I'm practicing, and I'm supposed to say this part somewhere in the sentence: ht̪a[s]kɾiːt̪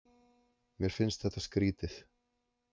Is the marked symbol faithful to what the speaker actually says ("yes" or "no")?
yes